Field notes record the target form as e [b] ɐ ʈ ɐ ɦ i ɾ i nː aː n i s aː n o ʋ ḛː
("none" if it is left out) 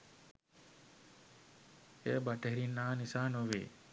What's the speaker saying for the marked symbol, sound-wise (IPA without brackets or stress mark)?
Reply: b